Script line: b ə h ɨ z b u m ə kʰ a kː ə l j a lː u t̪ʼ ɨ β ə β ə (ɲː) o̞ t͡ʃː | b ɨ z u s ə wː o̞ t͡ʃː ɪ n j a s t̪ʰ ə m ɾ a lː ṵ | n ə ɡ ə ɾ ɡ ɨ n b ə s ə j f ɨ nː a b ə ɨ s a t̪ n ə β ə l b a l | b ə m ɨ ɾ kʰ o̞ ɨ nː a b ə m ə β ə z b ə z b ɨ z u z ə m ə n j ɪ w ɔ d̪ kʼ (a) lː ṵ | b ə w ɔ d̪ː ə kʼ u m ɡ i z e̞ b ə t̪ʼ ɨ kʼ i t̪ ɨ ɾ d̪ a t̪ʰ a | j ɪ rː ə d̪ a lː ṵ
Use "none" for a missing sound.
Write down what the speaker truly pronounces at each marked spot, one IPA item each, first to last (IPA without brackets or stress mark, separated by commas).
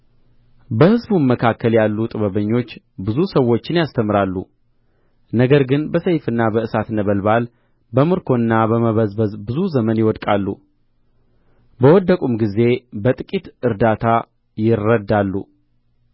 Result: ɲː, a